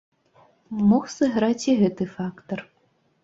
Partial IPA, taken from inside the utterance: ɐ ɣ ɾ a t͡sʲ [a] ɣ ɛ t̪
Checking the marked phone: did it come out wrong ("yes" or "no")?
yes